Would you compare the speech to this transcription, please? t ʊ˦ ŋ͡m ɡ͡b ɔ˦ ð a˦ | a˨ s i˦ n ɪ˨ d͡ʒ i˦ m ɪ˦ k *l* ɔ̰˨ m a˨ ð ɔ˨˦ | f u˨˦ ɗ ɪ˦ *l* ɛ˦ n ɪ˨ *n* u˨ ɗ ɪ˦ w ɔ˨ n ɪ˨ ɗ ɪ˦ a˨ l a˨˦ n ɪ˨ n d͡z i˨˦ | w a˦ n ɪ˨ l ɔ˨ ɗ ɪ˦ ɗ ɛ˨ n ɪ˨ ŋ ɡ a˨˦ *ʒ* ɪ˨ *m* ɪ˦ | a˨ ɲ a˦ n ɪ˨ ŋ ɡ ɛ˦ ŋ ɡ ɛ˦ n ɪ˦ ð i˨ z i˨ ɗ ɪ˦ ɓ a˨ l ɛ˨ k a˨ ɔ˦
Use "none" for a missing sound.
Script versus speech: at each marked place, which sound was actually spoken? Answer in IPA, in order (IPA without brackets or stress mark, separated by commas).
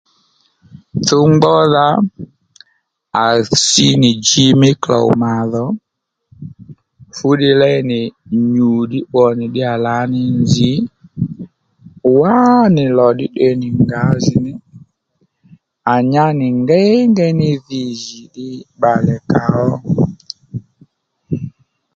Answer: l, l, ɲ, z, n